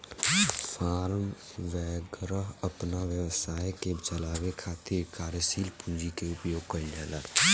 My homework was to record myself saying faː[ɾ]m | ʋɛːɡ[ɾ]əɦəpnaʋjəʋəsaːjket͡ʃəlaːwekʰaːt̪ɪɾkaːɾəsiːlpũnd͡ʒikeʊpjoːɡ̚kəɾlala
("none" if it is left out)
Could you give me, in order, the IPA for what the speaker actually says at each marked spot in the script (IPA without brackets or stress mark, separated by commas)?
ɾ, ɾ